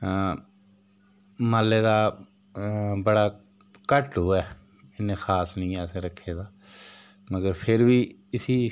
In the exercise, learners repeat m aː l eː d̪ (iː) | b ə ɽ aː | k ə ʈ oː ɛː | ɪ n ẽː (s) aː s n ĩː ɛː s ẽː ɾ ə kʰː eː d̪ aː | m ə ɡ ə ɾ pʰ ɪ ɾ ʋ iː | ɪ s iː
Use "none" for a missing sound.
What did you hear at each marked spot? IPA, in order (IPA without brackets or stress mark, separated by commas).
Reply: aː, x